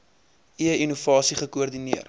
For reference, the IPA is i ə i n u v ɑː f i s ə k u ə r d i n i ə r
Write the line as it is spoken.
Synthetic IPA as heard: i ə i n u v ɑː s i χ ə k u ə r d i n i ə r

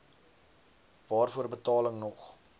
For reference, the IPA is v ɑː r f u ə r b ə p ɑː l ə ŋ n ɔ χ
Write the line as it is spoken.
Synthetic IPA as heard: v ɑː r f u ə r b ə t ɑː l ə ŋ n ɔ χ

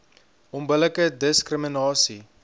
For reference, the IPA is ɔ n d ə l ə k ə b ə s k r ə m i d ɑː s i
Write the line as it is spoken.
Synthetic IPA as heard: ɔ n b ə l ə k ə d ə s k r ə m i n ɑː s i

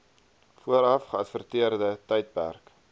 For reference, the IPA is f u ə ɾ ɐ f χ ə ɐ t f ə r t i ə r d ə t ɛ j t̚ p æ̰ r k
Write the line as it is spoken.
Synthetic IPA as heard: f u ə ɾ ɐ f χ ə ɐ t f ə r t i ə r d ə t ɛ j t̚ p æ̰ r k

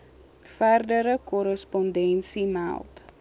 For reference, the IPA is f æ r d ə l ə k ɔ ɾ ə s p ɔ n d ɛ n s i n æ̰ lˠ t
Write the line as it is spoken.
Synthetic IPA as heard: f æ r d ə ɾ ə k ɔ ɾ ə s p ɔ n d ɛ n s i m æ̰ lˠ t

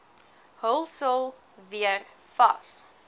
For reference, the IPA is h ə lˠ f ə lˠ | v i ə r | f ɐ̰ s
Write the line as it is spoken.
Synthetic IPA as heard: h ə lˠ s ə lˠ | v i ə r | f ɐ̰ s

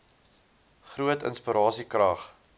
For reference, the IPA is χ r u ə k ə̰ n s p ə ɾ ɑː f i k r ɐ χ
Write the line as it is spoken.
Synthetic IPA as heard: χ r u ə t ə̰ n s p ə ɾ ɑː s i k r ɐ χ

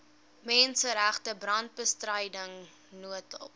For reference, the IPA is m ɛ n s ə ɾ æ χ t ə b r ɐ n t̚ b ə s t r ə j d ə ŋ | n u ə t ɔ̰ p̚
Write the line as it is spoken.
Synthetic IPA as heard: m ɛ n s ə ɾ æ χ t ə b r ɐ n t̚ b ə s t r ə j d ə ŋ | n u ə t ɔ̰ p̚

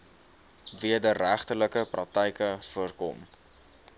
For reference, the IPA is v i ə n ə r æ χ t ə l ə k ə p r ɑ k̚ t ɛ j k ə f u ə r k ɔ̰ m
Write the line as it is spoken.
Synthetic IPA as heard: v i ə d ə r æ χ t ə l ə k ə p r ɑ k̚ t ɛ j k ə f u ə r k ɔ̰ m

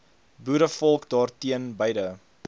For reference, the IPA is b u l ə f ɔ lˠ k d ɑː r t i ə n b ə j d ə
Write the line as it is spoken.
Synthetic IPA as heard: b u ɾ ə f ɔ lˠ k d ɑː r t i ə n b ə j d ə

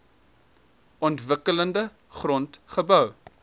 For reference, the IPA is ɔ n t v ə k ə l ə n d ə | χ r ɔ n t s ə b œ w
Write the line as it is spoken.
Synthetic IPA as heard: ɔ n t v ə k ə l ə n d ə | χ r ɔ n t χ ə b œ w

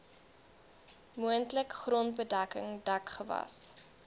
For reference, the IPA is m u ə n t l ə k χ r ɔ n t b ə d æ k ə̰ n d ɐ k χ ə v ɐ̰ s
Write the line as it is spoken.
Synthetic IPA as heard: m u ə n t l ə k χ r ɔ n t b ə d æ k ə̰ ŋ d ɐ k χ ə v ɐ̰ s

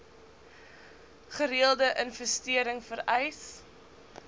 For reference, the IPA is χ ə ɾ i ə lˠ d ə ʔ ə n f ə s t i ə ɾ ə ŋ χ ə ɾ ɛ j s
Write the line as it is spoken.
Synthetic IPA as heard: χ ə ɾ i ə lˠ d ə ʔ ə n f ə s t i ə ɾ ə ŋ f ə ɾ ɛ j s

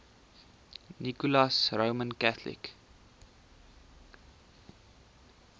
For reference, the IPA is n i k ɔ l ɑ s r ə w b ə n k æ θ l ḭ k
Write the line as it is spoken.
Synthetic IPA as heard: n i k u l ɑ s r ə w m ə n k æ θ l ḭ k

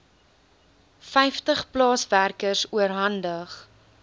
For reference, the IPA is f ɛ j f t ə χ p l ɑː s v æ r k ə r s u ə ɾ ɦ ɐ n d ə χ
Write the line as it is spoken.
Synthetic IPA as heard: f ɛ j f t ə χ p l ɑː s v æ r k ə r s u ə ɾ ɦ ɐ n d ə χ

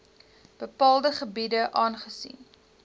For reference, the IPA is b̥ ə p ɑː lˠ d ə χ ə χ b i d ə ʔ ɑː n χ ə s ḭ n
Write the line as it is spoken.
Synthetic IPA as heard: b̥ ə p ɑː lˠ d ə χ ə b i d ə ʔ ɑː n χ ə s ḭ n

